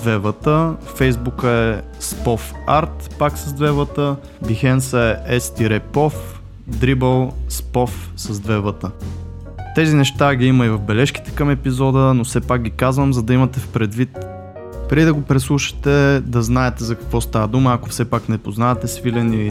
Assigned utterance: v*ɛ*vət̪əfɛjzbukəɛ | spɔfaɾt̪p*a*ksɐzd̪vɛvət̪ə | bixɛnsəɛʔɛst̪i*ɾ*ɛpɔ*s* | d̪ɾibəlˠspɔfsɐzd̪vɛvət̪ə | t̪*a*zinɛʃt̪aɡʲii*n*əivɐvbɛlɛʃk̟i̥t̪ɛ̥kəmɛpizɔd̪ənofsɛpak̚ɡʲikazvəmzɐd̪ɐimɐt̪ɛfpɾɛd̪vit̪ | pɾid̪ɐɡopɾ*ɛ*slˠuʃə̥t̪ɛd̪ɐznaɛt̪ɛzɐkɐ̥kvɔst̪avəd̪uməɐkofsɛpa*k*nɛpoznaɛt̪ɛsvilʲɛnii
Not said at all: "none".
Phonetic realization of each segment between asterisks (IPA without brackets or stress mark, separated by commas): ɛ, a, ɾ, f, ɛ, m, ɛ, k